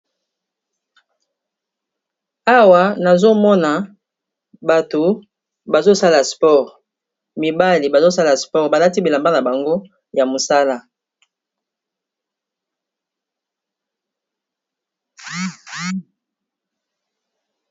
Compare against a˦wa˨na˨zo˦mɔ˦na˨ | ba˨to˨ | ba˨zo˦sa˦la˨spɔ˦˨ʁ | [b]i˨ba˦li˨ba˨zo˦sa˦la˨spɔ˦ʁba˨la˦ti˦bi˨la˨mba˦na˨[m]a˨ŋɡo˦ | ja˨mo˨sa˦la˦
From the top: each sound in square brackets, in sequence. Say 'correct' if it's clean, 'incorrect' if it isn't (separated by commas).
incorrect, incorrect